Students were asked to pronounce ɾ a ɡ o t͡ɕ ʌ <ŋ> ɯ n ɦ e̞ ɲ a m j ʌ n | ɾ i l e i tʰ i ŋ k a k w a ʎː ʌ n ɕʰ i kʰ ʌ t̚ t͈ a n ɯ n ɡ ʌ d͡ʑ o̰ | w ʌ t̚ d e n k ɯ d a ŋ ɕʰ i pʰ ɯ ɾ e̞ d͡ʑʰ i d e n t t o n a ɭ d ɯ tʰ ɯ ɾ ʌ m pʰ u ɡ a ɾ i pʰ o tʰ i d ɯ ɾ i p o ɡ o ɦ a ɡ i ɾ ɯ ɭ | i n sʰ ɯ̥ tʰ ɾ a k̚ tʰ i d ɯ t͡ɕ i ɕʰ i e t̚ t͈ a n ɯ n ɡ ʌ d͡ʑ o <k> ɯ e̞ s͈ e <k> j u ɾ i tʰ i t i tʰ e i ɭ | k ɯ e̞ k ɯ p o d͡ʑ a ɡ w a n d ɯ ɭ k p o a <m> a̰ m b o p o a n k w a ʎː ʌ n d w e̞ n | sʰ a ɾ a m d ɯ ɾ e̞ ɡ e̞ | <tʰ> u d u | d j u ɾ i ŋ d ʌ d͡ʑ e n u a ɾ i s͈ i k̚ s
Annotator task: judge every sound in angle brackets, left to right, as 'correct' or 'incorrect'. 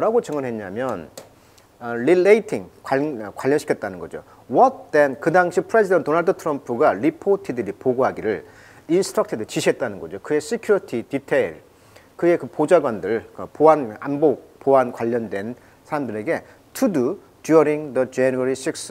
correct, correct, incorrect: kʰ, incorrect: n, correct

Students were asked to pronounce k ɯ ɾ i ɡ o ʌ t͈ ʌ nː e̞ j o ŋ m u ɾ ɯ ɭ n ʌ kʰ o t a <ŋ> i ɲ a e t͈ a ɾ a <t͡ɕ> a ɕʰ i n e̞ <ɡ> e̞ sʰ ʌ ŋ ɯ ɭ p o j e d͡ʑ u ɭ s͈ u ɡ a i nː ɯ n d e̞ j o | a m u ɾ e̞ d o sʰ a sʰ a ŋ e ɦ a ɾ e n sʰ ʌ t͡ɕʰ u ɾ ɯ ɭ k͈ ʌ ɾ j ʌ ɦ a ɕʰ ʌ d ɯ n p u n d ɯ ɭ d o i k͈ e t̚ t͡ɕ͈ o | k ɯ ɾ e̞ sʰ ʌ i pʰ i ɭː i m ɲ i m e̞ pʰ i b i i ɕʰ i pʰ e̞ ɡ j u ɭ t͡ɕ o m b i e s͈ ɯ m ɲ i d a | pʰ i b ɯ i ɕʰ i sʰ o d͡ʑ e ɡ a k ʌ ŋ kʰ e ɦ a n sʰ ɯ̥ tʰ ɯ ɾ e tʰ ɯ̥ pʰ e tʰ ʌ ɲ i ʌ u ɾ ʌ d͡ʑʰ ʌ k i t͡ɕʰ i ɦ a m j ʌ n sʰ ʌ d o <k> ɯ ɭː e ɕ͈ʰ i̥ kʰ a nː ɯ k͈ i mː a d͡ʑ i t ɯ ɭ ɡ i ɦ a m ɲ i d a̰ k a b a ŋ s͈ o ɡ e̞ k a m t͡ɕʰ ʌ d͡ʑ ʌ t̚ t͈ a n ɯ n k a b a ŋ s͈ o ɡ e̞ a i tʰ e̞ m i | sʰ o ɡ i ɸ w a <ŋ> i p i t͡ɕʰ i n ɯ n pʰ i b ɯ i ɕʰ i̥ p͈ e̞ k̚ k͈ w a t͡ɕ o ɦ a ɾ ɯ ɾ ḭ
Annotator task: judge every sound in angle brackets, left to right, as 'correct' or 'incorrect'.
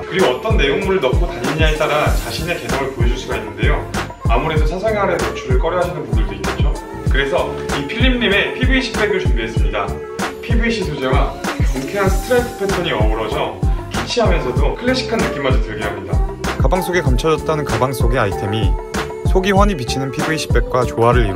incorrect: ɲ, correct, incorrect: k, incorrect: kʰ, incorrect: ɲ

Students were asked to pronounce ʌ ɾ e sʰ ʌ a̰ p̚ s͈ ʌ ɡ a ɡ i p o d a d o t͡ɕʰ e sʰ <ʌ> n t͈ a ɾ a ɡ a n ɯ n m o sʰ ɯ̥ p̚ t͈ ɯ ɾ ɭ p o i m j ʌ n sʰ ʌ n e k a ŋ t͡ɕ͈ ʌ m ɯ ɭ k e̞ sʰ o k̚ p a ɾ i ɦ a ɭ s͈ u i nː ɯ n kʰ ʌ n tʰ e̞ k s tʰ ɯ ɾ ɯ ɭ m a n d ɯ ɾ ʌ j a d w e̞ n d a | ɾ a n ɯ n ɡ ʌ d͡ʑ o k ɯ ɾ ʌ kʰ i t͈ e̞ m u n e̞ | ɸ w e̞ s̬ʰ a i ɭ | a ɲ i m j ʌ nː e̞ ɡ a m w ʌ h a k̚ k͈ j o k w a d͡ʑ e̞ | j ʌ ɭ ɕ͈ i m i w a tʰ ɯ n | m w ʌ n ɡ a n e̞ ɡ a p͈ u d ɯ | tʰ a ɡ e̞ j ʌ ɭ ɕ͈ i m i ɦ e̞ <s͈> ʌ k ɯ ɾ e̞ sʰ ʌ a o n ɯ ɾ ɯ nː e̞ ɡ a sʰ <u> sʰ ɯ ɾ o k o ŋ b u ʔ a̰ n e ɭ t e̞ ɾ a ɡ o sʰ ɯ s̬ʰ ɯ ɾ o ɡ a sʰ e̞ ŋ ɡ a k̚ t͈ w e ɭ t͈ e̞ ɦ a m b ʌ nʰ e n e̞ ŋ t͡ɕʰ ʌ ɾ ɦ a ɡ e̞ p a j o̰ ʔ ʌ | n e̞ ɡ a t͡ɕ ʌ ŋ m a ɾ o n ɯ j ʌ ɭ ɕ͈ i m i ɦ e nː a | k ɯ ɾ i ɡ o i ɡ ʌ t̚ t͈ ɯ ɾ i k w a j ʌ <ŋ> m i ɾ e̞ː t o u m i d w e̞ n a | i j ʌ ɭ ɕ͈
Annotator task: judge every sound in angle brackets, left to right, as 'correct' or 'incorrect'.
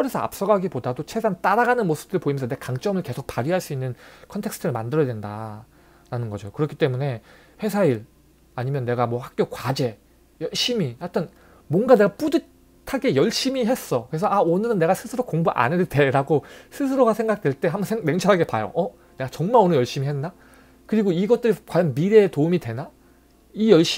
incorrect: a, correct, incorrect: ɯ, incorrect: n

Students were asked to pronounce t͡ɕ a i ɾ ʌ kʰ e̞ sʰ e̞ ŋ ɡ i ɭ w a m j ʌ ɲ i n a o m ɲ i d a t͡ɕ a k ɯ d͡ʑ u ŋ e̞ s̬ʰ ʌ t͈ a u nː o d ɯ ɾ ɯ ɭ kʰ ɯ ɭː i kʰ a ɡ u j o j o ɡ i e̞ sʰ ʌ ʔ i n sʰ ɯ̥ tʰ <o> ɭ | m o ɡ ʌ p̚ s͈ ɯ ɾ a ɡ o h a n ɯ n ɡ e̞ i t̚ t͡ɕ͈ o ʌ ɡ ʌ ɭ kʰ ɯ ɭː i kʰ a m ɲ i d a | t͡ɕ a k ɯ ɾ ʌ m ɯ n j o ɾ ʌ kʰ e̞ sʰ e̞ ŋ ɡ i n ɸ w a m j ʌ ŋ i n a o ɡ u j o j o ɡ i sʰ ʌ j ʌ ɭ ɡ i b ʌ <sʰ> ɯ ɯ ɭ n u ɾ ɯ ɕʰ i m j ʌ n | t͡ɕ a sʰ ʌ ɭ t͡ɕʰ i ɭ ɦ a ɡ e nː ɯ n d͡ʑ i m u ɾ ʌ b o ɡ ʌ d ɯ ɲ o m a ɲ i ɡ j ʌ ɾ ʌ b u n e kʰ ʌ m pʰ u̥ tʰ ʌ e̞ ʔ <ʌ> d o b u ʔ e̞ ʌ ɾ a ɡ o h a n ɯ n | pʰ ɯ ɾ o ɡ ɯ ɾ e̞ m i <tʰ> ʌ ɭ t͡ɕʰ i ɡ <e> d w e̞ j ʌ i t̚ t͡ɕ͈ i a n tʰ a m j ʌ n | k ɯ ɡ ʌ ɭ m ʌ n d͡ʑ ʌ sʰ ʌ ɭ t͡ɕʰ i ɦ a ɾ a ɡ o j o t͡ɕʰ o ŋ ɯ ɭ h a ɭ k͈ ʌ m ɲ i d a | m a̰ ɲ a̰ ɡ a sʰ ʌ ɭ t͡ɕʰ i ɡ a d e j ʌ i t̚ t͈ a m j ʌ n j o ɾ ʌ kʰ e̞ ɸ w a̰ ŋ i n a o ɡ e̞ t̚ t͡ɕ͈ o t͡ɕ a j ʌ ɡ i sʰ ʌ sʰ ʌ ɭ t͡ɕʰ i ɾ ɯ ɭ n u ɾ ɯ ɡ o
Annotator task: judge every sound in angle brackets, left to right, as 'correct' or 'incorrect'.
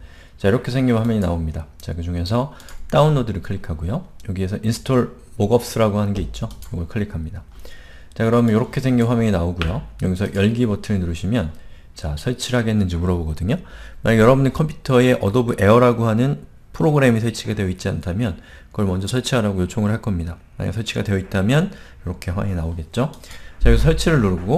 correct, incorrect: tʰ, correct, incorrect: sʰ, incorrect: a

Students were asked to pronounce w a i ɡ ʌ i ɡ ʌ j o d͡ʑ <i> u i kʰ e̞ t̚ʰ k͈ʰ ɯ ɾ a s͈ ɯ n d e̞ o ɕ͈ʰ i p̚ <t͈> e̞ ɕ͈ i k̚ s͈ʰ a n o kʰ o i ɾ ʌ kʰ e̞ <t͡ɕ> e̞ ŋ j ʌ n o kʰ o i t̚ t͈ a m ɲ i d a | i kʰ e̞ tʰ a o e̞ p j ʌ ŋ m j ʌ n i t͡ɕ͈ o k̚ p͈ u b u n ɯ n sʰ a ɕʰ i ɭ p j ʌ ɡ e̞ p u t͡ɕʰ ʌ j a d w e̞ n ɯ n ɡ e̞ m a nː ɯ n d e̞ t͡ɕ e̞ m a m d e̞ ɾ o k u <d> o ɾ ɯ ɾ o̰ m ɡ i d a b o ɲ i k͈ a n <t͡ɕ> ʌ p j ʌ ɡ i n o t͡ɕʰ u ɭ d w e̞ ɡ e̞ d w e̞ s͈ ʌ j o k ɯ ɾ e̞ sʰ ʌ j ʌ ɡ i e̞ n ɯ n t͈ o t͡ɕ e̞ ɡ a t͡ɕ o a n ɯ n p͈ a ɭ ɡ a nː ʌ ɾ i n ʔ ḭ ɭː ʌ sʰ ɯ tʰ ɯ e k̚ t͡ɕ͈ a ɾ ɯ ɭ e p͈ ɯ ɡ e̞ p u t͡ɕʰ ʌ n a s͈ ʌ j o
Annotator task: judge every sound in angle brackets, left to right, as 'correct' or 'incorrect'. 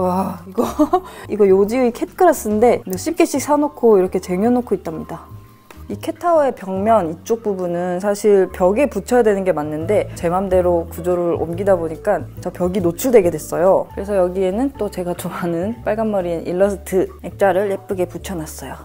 correct, incorrect: k͈, correct, incorrect: d͡ʑ, correct

